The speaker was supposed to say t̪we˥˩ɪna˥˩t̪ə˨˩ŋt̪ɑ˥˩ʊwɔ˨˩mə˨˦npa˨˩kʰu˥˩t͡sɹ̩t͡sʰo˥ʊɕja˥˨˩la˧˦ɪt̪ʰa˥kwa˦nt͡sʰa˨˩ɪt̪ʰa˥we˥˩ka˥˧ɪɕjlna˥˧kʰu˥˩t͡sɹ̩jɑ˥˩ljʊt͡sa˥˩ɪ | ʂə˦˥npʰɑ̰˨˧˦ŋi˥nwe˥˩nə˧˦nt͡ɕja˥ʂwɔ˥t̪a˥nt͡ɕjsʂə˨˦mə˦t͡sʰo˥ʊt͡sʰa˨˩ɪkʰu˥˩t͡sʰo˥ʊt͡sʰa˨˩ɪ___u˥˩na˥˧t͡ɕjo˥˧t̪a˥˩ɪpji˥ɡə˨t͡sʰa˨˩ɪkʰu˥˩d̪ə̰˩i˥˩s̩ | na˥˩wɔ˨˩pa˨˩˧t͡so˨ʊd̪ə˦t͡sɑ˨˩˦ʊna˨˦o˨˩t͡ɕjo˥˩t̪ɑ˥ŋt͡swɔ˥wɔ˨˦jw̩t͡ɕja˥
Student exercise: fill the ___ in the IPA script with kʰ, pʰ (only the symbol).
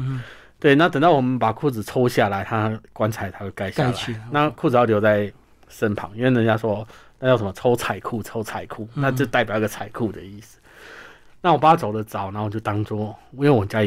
kʰ